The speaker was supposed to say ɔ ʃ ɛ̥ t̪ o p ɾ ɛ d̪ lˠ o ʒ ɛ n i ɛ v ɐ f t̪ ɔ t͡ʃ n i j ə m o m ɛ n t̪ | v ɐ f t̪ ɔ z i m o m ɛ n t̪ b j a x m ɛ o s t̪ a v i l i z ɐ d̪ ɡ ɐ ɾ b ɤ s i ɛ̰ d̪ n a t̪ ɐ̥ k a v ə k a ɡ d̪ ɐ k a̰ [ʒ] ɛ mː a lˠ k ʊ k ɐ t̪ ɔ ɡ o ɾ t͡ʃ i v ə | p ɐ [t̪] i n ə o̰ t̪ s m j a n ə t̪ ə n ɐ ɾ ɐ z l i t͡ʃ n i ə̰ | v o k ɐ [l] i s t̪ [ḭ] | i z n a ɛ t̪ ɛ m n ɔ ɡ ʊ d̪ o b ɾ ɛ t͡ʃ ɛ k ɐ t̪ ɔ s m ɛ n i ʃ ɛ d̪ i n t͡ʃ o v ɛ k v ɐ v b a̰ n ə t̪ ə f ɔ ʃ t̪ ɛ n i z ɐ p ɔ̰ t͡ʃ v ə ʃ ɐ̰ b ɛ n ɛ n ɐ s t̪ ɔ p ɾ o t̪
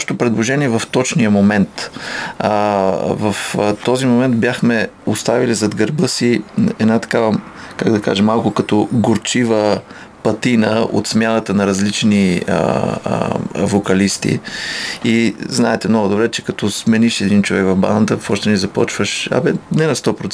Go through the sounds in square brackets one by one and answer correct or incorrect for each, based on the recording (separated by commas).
correct, correct, correct, correct